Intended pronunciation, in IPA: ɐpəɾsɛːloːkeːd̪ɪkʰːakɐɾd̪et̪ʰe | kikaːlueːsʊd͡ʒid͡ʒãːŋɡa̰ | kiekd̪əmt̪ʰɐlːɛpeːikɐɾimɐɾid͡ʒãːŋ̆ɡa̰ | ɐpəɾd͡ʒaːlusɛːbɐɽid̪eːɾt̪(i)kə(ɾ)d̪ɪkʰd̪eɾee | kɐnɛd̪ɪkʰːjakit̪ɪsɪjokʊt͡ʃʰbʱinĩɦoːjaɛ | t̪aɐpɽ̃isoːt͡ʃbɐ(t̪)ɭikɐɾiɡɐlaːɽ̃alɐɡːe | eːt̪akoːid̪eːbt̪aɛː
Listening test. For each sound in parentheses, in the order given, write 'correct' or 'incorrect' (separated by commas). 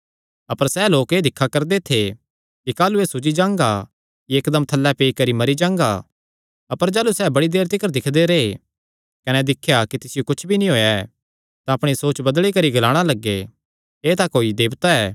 incorrect, correct, incorrect